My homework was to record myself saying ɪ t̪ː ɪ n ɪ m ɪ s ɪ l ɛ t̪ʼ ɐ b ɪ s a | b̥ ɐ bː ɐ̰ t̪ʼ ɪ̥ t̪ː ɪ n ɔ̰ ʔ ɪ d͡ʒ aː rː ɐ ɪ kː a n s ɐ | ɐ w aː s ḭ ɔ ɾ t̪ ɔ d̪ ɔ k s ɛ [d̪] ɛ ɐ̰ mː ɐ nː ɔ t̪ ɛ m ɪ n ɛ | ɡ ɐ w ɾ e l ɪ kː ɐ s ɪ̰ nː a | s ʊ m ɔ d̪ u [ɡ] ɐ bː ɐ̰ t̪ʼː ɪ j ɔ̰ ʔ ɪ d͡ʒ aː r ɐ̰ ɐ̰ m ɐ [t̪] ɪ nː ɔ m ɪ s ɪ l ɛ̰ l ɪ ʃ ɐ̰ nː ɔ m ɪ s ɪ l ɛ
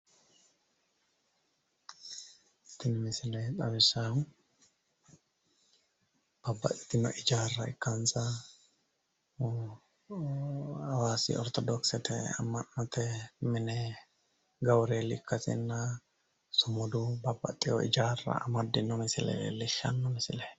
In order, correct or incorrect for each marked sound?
incorrect: t̪, incorrect: b, incorrect: d̪

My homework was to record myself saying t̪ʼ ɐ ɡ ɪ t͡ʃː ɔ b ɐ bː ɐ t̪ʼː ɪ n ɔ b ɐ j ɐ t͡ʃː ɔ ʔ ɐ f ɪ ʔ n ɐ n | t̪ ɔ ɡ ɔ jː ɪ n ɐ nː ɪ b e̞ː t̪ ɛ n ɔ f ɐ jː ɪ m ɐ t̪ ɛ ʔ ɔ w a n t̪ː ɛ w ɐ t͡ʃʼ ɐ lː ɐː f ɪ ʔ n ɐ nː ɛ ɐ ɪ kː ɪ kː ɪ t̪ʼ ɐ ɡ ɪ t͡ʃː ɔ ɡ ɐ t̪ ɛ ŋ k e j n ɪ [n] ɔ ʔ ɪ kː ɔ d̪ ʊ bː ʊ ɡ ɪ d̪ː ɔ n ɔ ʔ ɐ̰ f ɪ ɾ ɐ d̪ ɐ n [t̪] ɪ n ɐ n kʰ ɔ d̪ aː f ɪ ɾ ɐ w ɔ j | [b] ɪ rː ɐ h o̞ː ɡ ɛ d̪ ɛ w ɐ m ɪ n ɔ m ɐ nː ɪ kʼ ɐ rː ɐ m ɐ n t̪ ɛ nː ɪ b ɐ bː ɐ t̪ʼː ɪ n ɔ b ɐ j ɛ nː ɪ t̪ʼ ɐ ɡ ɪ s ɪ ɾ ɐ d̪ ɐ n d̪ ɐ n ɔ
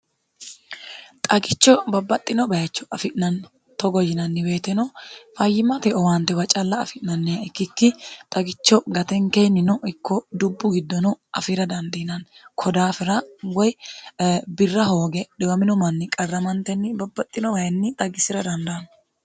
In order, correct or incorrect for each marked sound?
correct, incorrect: d̪, correct

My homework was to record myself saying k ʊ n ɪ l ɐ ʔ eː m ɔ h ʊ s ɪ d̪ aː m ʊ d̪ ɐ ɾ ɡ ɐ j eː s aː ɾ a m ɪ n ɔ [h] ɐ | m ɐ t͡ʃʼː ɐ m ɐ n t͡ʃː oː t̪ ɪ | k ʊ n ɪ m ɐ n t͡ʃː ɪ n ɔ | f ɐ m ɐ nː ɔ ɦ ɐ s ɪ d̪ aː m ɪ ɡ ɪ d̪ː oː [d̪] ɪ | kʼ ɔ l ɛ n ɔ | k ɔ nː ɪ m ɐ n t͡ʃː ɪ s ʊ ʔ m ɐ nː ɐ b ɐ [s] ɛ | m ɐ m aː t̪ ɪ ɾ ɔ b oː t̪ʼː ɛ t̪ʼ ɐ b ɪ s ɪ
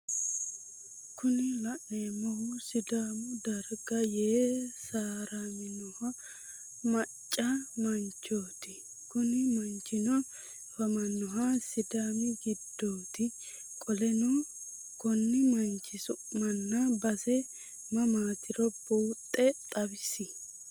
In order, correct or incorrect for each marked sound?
correct, incorrect: t̪, correct

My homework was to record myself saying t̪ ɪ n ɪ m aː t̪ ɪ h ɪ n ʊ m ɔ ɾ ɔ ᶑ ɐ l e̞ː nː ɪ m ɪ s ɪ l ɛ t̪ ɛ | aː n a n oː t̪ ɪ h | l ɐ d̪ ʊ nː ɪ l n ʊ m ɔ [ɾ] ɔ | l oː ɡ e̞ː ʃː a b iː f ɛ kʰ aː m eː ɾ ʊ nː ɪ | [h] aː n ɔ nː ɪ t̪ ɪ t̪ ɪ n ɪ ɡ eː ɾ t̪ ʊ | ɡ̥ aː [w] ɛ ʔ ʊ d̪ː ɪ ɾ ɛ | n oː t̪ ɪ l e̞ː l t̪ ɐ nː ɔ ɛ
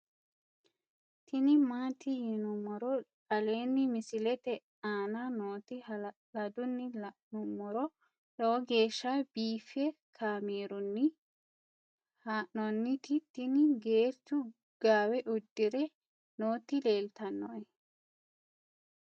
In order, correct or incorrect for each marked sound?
correct, correct, correct

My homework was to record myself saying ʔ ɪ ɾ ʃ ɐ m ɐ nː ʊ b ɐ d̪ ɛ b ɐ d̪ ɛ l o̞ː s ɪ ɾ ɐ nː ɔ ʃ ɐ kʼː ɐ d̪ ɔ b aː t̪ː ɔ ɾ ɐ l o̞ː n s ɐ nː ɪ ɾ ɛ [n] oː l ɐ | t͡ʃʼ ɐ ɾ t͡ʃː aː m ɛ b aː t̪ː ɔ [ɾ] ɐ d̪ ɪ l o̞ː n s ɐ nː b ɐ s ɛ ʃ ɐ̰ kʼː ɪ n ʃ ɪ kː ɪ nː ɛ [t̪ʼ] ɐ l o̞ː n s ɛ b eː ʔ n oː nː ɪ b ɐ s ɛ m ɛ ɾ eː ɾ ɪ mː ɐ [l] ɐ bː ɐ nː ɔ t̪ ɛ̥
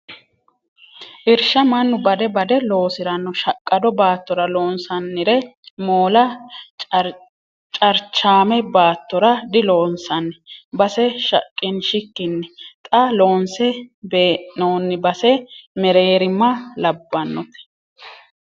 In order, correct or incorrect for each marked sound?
incorrect: m, correct, correct, correct

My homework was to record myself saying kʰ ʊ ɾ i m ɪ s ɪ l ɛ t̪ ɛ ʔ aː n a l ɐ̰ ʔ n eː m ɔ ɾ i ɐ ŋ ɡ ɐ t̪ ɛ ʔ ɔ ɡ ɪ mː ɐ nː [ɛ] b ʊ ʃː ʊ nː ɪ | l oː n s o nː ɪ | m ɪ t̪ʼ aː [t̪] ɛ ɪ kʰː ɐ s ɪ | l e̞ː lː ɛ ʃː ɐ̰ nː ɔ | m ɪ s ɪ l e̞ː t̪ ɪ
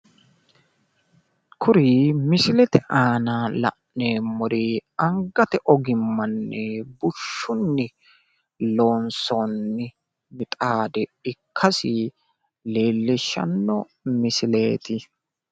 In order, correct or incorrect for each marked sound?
correct, incorrect: d̪

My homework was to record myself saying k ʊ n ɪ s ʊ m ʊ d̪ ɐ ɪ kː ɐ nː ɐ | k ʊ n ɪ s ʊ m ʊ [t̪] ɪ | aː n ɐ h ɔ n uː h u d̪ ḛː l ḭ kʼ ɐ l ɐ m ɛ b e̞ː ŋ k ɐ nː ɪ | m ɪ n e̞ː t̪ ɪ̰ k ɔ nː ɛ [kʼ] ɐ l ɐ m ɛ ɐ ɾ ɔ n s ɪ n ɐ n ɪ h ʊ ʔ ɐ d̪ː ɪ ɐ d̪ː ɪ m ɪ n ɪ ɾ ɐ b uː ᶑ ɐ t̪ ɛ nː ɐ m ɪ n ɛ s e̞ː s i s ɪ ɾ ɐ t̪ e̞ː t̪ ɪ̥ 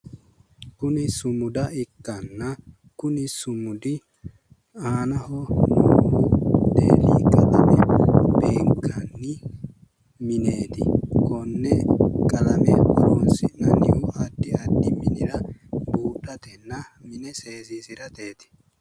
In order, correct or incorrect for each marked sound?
incorrect: d̪, correct

